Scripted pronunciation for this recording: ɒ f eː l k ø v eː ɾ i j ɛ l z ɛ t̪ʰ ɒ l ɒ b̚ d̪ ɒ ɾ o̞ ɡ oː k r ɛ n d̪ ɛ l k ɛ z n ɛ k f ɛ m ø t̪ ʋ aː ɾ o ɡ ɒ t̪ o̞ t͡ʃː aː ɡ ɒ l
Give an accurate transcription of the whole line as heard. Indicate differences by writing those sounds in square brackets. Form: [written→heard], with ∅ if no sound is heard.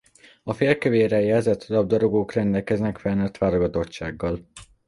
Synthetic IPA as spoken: ɒ f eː l k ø v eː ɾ [i→ɛ] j ɛ l z ɛ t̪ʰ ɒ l ɒ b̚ d̪ ɒ ɾ o̞ ɡ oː k r ɛ n d̪ ɛ l k ɛ z n ɛ k f ɛ [m→n] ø t̪ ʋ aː ɾ o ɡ ɒ t̪ o̞ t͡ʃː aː [ɡ→ɡː] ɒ l